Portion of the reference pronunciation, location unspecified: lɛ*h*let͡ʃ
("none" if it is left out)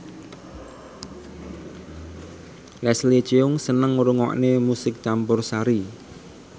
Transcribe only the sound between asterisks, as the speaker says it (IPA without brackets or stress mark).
s